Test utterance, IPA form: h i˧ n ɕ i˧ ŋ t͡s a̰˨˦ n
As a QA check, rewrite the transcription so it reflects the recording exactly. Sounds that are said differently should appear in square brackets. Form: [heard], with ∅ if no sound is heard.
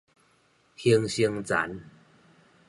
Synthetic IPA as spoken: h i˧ [ŋ] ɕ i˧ ŋ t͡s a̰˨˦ n